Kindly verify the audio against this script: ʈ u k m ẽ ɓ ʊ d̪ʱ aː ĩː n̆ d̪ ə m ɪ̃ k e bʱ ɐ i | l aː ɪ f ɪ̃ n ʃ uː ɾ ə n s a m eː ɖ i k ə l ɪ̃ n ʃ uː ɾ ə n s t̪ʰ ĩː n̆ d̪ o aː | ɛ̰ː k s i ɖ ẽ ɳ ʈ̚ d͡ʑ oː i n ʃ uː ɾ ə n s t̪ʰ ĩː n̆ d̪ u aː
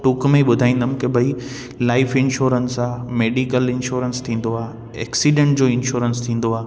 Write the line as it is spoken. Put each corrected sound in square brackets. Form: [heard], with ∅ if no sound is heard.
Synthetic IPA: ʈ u k m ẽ ɓ ʊ d̪ʱ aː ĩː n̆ d̪ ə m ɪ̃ k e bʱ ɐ i | l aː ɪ f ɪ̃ n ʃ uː ɾ ə n s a m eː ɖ i k ə l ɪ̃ n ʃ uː ɾ ə n s t̪ʰ ĩː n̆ d̪ o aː | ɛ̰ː k s i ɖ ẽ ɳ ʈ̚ d͡ʑ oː [ɪ] n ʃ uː ɾ ə n s t̪ʰ ĩː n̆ d̪ [o] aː

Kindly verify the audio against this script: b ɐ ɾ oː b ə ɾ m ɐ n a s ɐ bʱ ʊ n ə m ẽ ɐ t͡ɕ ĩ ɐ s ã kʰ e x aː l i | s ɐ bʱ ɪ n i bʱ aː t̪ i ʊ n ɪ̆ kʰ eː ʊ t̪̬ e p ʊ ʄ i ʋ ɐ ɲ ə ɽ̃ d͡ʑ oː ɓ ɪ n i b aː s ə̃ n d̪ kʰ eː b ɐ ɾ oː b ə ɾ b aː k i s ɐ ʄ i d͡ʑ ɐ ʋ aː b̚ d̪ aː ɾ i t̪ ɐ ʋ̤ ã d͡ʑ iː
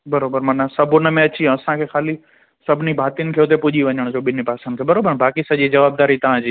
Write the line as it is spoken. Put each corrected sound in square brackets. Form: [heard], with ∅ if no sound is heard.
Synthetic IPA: b ɐ ɾ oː b ə ɾ m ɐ n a s ɐ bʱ ʊ n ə m ẽ ɐ t͡ɕ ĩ ɐ s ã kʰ e x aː l i | s ɐ bʱ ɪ n i bʱ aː t̪ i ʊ n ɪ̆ kʰ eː ʊ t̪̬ e p ʊ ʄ i ʋ ɐ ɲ ə ɽ̃ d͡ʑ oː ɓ ɪ n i [p] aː s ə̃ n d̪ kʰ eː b ɐ ɾ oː b ə ɾ b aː k i s ɐ ʄ i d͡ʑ ɐ ʋ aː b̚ d̪ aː ɾ i t̪ ɐ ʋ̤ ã d͡ʑ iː

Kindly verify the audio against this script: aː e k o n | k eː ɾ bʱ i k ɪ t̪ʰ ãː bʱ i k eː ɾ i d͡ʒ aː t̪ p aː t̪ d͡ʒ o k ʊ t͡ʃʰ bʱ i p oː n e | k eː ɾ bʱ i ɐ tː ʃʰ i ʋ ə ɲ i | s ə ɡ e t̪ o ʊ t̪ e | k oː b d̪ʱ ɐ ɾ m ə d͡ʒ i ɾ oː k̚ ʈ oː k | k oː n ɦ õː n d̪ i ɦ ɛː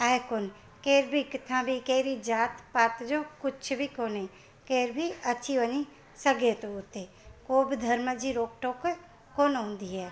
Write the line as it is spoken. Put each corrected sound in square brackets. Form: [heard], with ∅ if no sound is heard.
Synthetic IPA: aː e k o n | k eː ɾ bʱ i k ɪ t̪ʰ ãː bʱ i k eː ɾ i d͡ʒ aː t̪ p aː t̪ d͡ʒ o k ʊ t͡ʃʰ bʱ i [k] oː n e | k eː ɾ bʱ i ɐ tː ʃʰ i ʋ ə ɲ i | s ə ɡ e t̪ o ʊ t̪ e | k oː b d̪ʱ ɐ ɾ m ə d͡ʒ i ɾ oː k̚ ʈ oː k | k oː n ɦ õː n d̪ i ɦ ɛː

